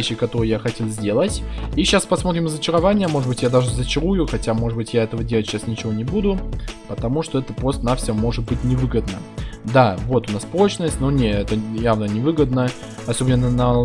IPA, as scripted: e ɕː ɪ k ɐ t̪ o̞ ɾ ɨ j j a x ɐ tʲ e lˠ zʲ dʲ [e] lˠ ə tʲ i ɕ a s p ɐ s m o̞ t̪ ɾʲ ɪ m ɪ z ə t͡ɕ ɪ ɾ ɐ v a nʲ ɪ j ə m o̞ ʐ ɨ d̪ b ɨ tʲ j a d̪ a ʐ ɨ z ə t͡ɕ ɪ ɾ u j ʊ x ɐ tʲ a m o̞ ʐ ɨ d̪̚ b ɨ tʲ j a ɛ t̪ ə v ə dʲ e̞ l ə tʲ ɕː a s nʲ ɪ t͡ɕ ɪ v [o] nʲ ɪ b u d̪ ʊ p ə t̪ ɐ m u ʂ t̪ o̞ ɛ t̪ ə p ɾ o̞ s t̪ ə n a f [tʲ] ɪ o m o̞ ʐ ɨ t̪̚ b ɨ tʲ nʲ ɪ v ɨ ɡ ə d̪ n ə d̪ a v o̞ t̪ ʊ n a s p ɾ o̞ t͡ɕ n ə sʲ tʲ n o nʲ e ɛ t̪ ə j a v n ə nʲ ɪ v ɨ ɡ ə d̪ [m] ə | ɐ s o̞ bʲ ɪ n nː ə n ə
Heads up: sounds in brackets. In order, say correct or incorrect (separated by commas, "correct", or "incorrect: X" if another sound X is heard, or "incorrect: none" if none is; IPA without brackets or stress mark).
correct, correct, incorrect: sʲ, incorrect: n